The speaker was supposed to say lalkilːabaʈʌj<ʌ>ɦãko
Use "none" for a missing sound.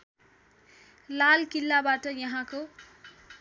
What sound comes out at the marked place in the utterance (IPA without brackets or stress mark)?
ʌ